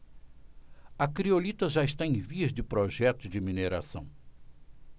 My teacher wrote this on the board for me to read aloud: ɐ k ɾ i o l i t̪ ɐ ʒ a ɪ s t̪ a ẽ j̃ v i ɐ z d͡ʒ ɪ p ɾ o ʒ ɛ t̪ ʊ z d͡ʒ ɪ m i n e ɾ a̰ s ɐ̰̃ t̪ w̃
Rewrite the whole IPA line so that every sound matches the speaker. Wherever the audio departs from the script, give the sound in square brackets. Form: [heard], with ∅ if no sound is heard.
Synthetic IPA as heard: ɐ k ɾ i o l i t̪ ɐ ʒ a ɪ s t̪ a ẽ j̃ v i ɐ z d͡ʒ ɪ p ɾ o ʒ ɛ t̪ ʊ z d͡ʒ ɪ m i n e ɾ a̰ s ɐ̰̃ [∅] w̃